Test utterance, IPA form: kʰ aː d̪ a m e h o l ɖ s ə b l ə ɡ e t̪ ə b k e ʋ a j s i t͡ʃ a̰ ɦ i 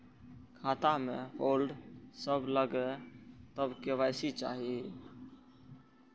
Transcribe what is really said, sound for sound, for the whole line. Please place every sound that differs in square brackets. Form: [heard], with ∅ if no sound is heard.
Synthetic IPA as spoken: kʰ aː [t̪] a m e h o l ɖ s ə b l ə ɡ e t̪ ə b k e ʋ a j s i t͡ʃ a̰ ɦ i